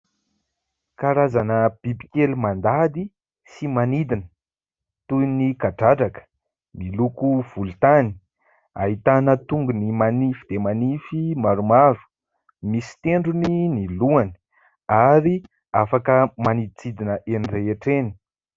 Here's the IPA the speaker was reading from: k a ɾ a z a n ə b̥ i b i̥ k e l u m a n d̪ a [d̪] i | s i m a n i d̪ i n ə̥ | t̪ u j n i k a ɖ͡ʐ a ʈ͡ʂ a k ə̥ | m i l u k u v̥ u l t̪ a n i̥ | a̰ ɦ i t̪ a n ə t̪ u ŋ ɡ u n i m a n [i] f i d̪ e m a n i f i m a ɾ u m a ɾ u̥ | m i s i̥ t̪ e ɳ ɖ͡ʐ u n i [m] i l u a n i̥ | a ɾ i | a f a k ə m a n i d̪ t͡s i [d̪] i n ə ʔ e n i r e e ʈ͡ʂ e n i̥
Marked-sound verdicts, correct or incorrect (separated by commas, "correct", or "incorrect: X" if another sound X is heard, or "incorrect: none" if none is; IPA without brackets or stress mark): correct, correct, incorrect: n, correct